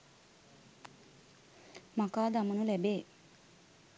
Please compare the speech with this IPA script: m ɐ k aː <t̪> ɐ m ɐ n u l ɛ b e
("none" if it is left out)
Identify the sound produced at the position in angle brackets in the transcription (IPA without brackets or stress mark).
d̪